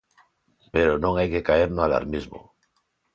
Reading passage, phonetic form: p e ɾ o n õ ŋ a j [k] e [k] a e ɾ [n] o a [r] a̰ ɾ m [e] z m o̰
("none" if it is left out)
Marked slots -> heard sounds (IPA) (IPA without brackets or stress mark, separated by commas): k, k, n, l, i